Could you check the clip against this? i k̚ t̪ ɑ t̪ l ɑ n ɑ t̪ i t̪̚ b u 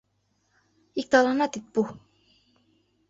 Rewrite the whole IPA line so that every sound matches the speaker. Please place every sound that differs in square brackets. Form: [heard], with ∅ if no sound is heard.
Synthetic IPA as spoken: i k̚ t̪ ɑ [∅] l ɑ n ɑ t̪ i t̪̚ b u